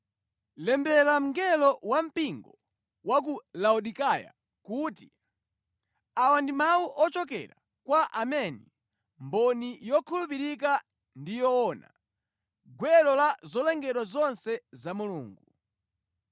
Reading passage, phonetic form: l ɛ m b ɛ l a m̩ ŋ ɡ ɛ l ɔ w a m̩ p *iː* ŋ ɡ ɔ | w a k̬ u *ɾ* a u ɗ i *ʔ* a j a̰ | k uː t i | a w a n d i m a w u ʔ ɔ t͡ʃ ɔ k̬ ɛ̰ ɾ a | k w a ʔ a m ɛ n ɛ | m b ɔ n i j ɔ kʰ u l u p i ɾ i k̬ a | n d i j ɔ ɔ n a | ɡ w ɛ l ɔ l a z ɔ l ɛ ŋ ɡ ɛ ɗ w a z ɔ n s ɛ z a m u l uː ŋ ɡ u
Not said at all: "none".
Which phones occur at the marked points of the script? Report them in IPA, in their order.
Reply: i, l, k

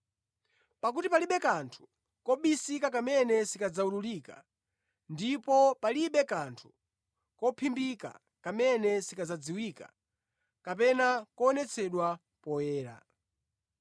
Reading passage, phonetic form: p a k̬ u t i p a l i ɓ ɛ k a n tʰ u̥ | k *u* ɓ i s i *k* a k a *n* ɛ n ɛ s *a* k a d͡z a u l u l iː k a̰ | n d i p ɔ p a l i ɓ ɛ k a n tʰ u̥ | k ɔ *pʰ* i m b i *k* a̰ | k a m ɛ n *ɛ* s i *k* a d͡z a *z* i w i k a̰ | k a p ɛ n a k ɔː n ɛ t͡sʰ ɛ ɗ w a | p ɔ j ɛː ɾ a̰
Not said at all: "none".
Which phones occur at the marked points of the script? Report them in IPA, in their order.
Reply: ɔ, k, m, i, pʰ, k, ɛ, k, d͡z

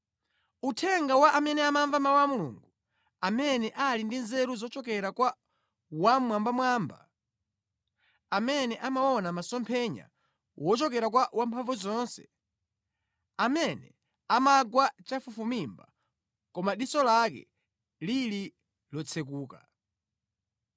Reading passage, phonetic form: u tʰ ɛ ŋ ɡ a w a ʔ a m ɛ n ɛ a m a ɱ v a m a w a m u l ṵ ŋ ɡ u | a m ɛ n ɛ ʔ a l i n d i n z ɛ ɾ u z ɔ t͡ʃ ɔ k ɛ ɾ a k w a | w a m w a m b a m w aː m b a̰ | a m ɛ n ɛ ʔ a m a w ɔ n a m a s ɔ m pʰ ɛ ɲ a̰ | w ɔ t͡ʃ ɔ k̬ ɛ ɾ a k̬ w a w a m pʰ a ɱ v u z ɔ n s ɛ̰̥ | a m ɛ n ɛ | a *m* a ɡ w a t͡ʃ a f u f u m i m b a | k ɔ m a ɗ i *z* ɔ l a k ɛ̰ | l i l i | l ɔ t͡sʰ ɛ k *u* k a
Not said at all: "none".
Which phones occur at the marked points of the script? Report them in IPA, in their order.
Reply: m, s, uː

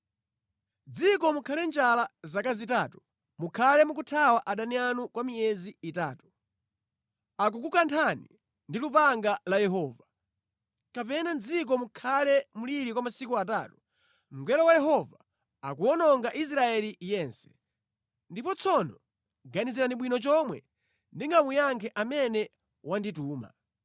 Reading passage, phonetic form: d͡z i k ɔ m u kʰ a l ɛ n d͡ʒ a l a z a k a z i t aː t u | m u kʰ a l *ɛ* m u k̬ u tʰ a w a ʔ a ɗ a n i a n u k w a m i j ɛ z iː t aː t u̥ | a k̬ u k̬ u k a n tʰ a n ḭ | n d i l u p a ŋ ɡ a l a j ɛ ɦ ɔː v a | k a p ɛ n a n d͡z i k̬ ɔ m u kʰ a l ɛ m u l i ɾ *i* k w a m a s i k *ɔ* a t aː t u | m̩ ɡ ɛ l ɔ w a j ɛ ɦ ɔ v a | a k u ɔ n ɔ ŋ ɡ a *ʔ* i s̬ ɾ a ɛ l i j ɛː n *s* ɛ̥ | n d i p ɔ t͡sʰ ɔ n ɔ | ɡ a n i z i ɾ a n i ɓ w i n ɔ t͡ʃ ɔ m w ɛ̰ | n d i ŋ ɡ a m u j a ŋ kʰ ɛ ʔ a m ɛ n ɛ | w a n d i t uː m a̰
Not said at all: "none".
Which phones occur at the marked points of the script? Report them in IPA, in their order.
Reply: ɛ, i, u, ʔ, s

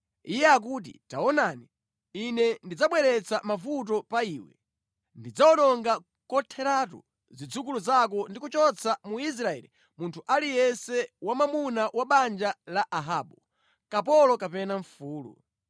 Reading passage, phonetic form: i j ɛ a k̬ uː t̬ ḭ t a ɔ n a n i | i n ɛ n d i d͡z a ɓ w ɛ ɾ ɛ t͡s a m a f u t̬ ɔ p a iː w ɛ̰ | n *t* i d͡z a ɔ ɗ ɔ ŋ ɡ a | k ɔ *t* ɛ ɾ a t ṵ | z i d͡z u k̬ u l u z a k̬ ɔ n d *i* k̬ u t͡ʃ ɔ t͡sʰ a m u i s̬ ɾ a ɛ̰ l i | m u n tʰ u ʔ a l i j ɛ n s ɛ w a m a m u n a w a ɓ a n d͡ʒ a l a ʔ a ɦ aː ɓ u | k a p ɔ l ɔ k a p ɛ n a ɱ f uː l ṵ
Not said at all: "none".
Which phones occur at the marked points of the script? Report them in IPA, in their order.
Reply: d, tʰ, i

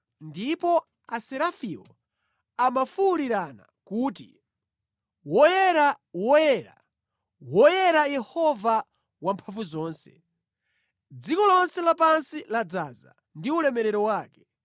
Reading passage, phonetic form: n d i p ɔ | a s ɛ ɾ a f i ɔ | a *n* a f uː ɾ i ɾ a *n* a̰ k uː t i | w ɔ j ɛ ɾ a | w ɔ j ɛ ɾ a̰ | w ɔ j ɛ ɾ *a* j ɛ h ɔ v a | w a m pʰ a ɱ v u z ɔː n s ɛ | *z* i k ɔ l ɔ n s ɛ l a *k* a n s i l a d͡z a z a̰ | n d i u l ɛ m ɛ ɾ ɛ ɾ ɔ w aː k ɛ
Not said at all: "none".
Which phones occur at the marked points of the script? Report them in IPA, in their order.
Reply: m, n, a, d͡z, p

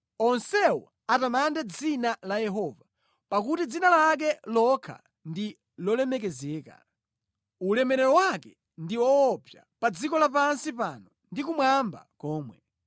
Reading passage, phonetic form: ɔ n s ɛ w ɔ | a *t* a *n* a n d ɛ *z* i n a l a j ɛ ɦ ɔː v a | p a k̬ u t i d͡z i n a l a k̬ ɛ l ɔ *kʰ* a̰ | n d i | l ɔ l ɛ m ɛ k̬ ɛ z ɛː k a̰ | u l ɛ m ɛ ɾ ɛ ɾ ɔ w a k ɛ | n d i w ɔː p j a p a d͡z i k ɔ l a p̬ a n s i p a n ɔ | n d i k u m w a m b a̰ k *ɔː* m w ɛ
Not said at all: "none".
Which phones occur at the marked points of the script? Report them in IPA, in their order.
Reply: t, m, d͡z, kʰ, ɔː

